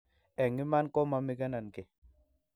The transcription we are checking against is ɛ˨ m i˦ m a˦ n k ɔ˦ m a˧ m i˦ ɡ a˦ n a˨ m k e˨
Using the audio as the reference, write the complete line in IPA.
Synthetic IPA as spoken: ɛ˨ ŋ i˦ m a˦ n k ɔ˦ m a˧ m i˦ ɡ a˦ n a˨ n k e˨